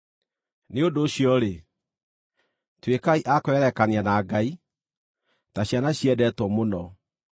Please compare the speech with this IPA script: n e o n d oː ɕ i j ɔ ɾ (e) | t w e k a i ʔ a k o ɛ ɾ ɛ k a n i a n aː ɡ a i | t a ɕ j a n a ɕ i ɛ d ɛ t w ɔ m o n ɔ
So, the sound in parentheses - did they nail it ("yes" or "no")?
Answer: yes